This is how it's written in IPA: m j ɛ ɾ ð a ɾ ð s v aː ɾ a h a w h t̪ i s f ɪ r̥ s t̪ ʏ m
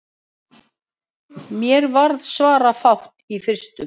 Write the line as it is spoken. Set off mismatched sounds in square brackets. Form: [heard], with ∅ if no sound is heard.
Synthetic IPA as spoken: m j ɛ ɾ [v] a ɾ ð s v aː ɾ a [f] a w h t̪ i [∅] f ɪ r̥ s t̪ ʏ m